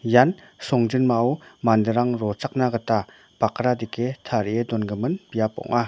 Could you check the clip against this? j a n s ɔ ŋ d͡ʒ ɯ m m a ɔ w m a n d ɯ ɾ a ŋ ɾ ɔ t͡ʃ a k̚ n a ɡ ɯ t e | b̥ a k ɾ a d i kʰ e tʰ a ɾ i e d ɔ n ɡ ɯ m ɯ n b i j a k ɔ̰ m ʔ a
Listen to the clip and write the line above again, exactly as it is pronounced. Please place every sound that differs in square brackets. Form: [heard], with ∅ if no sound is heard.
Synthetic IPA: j a n s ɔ ŋ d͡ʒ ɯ [n] m a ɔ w m a n d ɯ ɾ a ŋ ɾ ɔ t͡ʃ a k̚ n a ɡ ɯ t [a] | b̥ a k ɾ a d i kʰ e tʰ a ɾ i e d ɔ n ɡ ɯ m ɯ n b i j a [p] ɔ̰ [ŋ] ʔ a